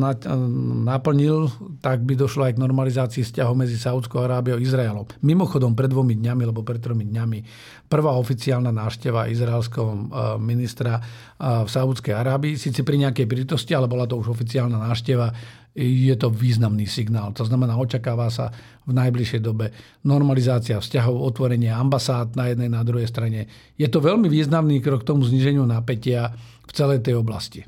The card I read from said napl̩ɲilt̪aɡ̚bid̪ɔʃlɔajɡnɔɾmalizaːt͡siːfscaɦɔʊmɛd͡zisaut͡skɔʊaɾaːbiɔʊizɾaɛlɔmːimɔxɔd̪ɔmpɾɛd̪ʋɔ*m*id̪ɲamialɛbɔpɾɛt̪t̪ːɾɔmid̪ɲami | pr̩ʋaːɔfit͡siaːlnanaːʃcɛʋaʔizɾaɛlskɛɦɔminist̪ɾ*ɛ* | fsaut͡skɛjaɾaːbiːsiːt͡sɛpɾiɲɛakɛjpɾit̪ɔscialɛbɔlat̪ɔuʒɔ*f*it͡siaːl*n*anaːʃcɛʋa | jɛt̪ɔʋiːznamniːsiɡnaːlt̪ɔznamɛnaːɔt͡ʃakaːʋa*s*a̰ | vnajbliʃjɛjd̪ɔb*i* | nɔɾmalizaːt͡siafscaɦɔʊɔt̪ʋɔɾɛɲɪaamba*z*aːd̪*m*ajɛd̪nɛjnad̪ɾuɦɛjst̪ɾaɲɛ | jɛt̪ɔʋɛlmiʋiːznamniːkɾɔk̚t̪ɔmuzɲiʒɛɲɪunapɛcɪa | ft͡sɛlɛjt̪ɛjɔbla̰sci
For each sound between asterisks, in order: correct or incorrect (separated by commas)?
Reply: correct, incorrect, correct, correct, correct, incorrect, incorrect, incorrect